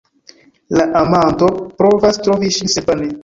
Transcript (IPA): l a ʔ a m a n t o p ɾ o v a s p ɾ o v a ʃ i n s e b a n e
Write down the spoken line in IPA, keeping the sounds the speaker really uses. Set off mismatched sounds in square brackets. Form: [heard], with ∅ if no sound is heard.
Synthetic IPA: l a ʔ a m a n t o p ɾ o v a s [t] ɾ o v [i] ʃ i n s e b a n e